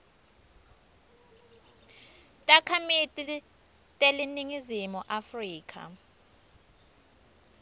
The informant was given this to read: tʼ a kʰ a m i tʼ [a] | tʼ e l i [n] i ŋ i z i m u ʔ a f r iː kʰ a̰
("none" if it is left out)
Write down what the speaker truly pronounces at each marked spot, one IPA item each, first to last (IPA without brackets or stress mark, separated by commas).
i, n